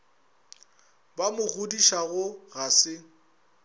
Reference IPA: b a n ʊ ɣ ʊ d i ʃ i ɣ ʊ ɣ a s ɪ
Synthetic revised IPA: b a m ʊ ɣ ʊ d i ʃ a ɣ ʊ ɣ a s ɪ